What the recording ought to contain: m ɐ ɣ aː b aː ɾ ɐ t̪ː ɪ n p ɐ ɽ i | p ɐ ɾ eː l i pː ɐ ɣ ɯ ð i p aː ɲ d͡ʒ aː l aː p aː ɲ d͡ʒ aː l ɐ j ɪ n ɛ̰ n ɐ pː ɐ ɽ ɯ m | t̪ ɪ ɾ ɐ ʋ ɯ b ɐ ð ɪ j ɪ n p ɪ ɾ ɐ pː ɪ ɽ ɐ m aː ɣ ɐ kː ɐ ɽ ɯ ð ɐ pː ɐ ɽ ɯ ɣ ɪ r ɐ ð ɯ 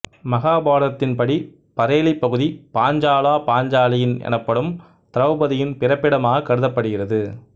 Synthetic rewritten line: m ɐ ɣ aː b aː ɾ ɐ t̪ː ɪ n p ɐ ɽ i | p ɐ ɾ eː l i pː ɐ ɣ ɯ ð i p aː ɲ d͡ʒ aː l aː p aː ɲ d͡ʒ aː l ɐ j ɪ n ɛ̰ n ɐ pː ɐ ɽ ɯ m | t̪ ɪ ɾ ɐ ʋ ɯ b ɐ ð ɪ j ɪ n p ɪ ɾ ɐ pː ɪ ɽ ɐ m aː ɣ ɐ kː ɐ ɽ ɯ ð ɐ pː ɐ ɽ ɯ ɣ ɪ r ɐ ð ɯ